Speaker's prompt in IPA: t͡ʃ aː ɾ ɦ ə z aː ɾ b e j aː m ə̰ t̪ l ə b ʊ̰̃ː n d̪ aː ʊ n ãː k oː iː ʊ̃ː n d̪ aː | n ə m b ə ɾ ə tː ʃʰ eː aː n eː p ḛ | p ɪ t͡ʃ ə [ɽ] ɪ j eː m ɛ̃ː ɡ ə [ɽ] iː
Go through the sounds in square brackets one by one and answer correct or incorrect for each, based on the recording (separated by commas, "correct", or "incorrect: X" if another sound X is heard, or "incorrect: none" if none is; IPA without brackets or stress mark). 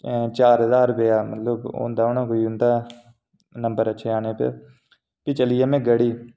incorrect: l, correct